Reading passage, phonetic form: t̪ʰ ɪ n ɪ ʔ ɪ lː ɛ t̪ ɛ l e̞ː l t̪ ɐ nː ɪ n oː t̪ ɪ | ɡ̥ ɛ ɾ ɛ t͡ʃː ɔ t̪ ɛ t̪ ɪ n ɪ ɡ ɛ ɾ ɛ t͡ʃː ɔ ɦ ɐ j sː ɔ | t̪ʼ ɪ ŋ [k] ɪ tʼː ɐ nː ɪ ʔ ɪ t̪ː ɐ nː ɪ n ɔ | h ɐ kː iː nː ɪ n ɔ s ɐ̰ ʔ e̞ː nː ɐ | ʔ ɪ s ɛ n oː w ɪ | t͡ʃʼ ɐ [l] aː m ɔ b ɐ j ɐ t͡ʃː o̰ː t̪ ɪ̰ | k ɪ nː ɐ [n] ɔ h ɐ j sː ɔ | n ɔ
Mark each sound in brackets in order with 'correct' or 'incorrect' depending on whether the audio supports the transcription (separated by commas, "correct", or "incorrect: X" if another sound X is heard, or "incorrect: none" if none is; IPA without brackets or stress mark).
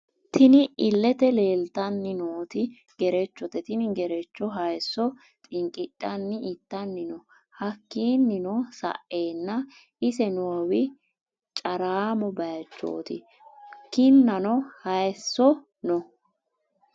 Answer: incorrect: kʼ, incorrect: ɾ, correct